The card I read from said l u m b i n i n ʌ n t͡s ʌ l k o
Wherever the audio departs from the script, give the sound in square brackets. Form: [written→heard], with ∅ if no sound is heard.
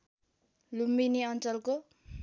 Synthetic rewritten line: l u m b i n i [n→∅] ʌ n t͡s ʌ l k o

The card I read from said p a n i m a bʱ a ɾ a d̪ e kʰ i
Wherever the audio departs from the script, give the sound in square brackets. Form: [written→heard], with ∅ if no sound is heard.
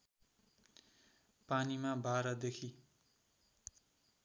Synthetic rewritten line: p a n i m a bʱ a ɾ [a→ʌ] d̪ e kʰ i

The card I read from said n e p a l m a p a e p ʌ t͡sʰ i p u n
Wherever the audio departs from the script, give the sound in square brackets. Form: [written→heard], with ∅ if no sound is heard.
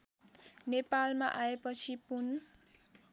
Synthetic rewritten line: n e p a l m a [p→ʔ] a e p ʌ t͡sʰ i p u n

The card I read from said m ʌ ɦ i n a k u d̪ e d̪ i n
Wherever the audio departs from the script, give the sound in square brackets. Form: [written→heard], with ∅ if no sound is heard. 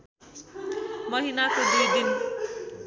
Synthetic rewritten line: m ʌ ɦ i n a k [u→o] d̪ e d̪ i n

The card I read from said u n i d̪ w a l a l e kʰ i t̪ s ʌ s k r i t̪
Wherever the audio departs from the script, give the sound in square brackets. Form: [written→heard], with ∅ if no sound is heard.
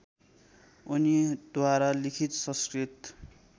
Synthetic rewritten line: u n i d̪ w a [l→ɾ] a l [e→i] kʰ i t̪ s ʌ s k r i t̪

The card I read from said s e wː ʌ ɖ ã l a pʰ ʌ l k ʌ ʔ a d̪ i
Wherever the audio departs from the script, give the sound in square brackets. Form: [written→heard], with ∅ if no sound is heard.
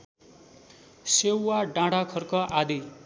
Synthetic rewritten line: s e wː [ʌ→a] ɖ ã [l→ɽ] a [pʰ→kʰ] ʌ [l→r] k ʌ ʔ a d̪ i

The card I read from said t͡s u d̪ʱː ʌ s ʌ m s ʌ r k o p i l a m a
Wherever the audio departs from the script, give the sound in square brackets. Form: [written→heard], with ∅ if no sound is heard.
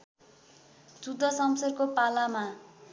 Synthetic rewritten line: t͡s u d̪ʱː ʌ s ʌ m s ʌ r k o p [i→a] l a m a

